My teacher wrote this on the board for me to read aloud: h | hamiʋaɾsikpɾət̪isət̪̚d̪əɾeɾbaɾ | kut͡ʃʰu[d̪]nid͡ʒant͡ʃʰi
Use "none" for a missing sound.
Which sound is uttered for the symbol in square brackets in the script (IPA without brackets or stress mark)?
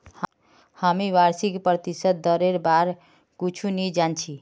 none